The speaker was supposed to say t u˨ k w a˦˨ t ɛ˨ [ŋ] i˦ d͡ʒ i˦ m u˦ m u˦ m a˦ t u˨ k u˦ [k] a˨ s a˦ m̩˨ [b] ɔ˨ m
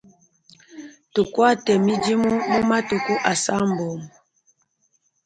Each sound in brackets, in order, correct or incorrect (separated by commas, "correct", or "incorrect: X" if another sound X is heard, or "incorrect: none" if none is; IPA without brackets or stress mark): incorrect: m, incorrect: ʔ, correct